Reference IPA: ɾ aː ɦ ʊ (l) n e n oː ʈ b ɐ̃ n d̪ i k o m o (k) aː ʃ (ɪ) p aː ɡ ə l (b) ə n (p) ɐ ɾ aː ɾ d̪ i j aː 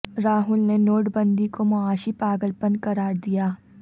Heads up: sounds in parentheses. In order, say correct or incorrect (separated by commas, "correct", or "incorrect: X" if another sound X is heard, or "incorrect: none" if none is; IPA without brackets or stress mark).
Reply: correct, incorrect: none, incorrect: i, incorrect: p, incorrect: k